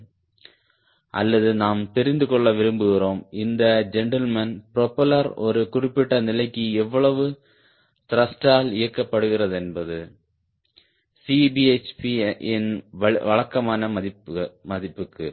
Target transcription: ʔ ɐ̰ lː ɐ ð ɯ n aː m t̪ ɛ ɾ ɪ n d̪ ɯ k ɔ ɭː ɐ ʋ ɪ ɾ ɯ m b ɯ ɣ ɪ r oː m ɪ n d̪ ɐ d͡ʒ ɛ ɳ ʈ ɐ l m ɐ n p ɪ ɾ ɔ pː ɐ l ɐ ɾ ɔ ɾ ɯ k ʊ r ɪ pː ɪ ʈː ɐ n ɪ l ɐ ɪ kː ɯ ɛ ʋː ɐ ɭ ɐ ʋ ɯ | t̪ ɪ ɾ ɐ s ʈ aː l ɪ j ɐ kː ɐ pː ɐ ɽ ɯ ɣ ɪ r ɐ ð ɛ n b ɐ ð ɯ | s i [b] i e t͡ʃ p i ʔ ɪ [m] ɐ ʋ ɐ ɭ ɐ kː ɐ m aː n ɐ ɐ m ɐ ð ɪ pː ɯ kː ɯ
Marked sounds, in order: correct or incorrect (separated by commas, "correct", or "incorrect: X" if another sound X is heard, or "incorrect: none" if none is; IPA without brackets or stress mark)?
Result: correct, incorrect: n